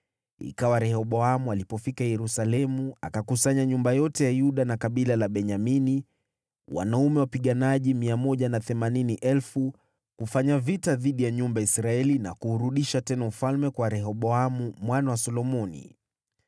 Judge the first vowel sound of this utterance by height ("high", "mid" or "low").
high